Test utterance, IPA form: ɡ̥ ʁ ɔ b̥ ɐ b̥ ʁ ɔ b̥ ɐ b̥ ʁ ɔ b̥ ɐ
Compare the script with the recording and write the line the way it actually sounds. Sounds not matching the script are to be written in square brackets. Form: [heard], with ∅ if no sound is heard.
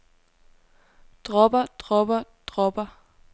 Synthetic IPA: [d̥] ʁ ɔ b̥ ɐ [d̥] ʁ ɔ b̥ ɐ [d̥] ʁ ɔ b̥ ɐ

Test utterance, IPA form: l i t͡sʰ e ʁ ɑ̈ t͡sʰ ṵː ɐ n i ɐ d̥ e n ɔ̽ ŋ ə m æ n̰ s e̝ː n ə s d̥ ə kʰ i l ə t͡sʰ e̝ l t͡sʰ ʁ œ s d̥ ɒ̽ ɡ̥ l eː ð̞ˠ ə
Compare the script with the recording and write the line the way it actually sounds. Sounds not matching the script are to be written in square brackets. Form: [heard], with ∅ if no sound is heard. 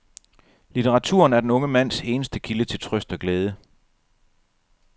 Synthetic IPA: l i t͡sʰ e ʁ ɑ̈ t͡sʰ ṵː ɐ n [æ] ɐ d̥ e n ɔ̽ ŋ ə m æ n̰ s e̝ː n ə s d̥ ə kʰ i l ə t͡sʰ e̝ l t͡sʰ ʁ œ s d̥ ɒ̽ ɡ̥ l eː ð̞ˠ ə

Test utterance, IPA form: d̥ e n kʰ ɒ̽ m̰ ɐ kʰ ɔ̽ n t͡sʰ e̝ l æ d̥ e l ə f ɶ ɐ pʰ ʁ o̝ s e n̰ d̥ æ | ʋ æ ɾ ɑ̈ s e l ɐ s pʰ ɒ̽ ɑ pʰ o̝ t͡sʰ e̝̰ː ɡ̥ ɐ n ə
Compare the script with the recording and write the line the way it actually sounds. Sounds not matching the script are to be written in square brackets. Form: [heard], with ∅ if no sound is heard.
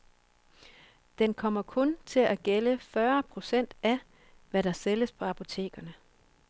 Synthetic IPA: d̥ e n kʰ ɒ̽ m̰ ɐ kʰ ɔ̽ n t͡sʰ e̝ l æ [ɡ̥] e l ə f ɶ ɐ pʰ ʁ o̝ s e n̰ d̥ æ | ʋ æ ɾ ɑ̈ s e l [ə] s pʰ ɒ̽ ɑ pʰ o̝ t͡sʰ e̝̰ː ɡ̥ ɐ n ə

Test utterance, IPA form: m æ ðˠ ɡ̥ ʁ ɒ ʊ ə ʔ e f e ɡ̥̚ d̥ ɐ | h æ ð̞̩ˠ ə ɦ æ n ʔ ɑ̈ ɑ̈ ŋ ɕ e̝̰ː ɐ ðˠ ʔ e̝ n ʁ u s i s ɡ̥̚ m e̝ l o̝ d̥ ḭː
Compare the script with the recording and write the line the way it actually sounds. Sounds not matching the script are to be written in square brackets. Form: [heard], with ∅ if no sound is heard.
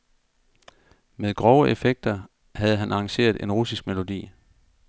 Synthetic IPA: m [e] ðˠ ɡ̥ ʁ ɒ ʊ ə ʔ e f e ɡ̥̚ d̥ ɐ | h æ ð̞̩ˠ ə ɦ æ n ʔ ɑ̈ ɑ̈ ŋ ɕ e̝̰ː ɐ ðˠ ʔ e̝ n ʁ u s i s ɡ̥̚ m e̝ l o̝ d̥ ḭː

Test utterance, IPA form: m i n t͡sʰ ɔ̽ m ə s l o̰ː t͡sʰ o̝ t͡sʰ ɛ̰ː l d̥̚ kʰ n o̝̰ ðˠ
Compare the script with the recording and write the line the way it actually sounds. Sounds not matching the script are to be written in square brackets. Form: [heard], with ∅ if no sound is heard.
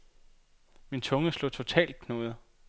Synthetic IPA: m i n t͡sʰ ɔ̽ [ŋ] ə s l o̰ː t͡sʰ o̝ t͡sʰ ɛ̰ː l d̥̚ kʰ n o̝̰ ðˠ

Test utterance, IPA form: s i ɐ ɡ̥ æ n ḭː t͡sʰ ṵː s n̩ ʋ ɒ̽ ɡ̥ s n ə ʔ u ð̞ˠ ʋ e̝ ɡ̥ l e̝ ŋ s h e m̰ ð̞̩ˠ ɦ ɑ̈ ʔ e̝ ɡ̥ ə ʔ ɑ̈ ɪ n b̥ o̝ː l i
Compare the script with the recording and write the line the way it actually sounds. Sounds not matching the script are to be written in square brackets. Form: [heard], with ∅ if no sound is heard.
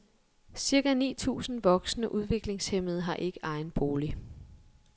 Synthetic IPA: s i ɐ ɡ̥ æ n ḭː t͡sʰ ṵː s n̩ ʋ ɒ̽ ɡ̥ s n ə ʔ u ð̞ˠ ʋ e̝ ɡ̥ l e̝ ŋ s h e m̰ ð̞̩ˠ ɦ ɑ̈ ʔ e̝ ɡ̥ ə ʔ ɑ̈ ɪ n b̥ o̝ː l i

